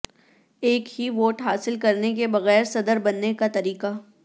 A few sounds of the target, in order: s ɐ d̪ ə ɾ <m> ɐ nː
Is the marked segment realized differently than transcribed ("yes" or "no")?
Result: yes